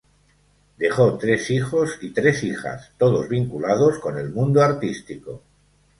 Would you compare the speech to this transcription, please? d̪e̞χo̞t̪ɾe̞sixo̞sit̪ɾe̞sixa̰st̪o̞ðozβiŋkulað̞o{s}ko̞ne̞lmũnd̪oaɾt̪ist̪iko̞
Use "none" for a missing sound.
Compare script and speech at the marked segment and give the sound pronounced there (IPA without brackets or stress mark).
s